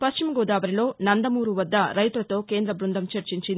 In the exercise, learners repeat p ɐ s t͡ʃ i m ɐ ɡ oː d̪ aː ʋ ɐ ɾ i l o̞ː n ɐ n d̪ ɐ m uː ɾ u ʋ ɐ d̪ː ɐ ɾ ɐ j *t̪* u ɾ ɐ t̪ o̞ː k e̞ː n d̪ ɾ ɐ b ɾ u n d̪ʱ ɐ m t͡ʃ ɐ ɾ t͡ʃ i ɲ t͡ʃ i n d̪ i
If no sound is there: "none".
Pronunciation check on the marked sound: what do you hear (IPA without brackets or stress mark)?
t̪